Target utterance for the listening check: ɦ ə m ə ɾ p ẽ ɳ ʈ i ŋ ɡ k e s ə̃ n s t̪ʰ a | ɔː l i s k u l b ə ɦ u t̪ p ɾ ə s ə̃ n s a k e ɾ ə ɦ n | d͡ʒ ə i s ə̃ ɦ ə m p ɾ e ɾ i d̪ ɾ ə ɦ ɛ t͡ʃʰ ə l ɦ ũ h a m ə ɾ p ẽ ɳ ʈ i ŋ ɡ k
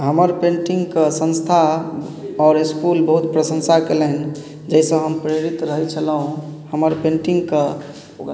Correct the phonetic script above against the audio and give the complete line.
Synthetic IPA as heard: ɦ ə m ə ɾ p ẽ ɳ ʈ i ŋ ɡ k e s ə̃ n s t̪ʰ a | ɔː ɾ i s k u l b ə ɦ u t̪ p ɾ ə s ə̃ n s a k e l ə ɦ n | d͡ʒ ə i s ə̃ ɦ ə m p ɾ e ɾ i t̪ ɾ ə ɦ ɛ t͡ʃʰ ə l ɦ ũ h ə m ə ɾ p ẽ ɳ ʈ i ŋ ɡ k